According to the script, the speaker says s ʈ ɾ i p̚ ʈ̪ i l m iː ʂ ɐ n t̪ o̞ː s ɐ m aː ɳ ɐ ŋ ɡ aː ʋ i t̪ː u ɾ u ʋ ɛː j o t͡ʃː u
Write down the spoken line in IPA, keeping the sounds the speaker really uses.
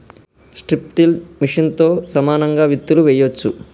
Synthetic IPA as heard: s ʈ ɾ i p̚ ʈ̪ i l m i ʂ ɐ n t̪ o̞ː s ɐ m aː n ɐ ŋ ɡ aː ʋ i t̪ː u l u ʋ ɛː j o t͡ʃː u